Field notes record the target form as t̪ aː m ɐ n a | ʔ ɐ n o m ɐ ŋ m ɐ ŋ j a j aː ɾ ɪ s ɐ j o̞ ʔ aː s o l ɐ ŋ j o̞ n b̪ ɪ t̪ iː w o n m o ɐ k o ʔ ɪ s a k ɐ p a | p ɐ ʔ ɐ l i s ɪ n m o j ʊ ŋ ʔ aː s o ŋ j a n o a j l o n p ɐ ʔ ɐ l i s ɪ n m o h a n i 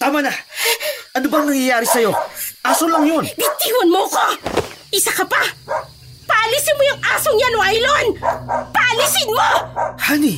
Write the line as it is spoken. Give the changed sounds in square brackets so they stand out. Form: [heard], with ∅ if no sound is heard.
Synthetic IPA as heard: t̪ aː m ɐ n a | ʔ ɐ n o [b] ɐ ŋ [n] ɐ ŋ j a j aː ɾ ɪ s ɐ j o̞ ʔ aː s o l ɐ ŋ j o̞ n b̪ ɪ t̪ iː w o n m o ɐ k o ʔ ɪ s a k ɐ p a | p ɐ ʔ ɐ l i s ɪ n m o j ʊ ŋ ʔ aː s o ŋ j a n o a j l o n p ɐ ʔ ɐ l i s ɪ n m o h a n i